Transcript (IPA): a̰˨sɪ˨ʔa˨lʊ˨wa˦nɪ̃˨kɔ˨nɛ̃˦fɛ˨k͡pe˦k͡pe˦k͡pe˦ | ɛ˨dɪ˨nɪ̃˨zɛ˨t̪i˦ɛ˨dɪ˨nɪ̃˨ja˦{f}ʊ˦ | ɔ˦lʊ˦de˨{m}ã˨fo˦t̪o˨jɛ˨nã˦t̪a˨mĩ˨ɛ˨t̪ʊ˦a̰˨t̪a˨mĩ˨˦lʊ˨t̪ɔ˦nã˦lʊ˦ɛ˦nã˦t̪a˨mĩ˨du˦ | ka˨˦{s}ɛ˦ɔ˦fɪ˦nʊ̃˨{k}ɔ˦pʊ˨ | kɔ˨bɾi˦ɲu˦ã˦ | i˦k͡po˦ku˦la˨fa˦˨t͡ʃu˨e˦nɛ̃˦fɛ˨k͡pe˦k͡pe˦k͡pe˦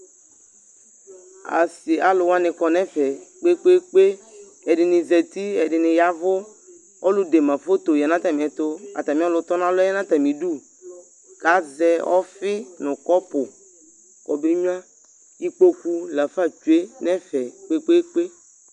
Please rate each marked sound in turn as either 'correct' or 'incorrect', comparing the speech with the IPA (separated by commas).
incorrect, correct, incorrect, correct